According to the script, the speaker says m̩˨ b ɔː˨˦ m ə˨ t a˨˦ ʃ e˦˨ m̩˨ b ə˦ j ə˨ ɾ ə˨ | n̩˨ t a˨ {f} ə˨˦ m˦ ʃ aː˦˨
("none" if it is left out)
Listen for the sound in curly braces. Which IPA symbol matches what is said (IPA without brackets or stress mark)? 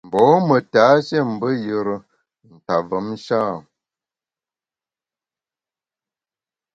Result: v